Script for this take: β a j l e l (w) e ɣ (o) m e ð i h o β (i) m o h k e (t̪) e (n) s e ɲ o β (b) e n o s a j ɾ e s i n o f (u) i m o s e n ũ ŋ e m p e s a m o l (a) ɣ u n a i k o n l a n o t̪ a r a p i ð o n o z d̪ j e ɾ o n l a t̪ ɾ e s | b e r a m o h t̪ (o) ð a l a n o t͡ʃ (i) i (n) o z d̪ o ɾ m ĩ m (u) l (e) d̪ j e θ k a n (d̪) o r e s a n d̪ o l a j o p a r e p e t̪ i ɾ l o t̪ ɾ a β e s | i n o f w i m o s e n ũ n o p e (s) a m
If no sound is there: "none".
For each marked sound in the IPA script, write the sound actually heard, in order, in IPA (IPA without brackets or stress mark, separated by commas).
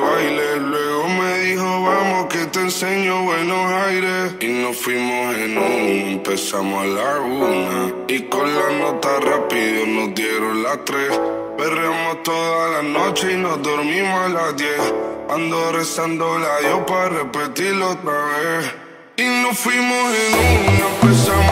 w, o, a, t̪, n, w, w, a, o, e, n, o, a, d̪, s